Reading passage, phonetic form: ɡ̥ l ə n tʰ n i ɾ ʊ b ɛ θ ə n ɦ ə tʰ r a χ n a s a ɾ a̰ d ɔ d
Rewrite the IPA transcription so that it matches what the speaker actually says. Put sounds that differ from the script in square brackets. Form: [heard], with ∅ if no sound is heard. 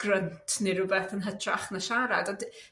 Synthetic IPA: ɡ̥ [r] ə n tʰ n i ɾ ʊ b ɛ θ ə n ɦ ə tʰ r a χ n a [ʃ] a ɾ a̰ d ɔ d